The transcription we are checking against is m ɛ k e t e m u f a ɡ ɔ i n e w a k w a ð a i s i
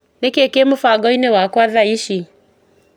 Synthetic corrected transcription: n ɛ k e k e m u f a ɡ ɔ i n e w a k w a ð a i ʃ i